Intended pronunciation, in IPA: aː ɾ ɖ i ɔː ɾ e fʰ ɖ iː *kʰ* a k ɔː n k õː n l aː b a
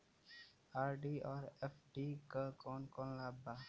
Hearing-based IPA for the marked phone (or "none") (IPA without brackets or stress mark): k